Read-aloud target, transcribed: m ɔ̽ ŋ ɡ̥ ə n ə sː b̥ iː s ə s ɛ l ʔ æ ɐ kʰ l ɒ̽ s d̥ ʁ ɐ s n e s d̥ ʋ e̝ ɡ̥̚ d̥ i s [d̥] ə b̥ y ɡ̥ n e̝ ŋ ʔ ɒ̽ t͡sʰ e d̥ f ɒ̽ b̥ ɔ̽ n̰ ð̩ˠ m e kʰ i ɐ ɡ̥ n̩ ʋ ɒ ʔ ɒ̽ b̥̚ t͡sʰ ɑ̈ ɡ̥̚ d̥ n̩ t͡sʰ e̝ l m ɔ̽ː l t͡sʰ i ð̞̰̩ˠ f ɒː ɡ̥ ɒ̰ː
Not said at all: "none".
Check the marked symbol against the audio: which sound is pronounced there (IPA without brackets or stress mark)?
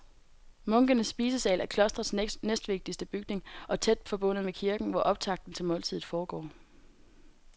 d̥